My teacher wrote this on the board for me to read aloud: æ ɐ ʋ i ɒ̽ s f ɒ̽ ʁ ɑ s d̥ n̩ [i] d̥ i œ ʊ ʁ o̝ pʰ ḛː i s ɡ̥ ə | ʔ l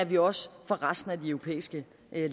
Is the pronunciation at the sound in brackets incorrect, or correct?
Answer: incorrect